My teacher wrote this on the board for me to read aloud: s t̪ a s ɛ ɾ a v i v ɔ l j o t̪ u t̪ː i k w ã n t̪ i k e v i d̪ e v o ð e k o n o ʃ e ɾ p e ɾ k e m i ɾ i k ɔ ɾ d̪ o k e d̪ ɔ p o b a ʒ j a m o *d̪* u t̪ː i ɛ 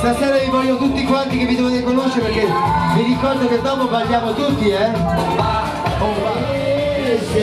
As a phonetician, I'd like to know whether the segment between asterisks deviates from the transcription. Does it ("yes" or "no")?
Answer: yes